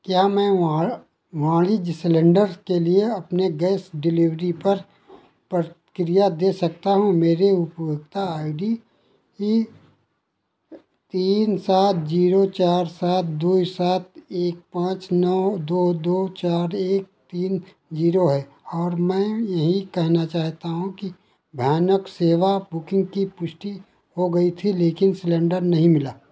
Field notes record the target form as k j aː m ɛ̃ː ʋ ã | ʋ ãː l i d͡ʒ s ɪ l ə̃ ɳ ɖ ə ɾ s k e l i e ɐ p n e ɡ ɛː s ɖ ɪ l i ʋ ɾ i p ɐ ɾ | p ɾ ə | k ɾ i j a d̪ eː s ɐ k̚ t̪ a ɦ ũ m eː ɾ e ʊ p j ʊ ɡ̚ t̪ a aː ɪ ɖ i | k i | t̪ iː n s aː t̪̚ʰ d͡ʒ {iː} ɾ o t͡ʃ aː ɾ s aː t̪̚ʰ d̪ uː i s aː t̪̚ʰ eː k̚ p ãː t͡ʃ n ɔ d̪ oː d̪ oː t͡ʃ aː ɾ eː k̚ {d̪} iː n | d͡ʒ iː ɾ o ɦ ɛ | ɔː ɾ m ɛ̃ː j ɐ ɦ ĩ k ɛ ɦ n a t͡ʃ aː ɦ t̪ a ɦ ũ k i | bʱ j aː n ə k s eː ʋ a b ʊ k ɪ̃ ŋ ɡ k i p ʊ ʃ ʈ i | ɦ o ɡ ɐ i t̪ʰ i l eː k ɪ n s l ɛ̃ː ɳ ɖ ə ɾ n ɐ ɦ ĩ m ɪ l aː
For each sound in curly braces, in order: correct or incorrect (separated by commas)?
correct, incorrect